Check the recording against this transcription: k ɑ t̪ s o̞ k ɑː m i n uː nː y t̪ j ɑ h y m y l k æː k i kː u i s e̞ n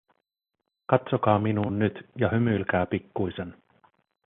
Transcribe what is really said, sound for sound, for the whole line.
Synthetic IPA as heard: k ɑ t̪ s o̞ k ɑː m i n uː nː y t̪ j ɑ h y m y l k æː p i kː u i s e̞ n